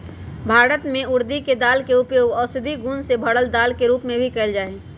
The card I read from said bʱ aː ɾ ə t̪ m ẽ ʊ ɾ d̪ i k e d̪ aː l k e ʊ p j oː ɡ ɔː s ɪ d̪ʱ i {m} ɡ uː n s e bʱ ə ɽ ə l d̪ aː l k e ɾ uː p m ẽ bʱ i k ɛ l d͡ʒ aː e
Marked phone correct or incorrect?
incorrect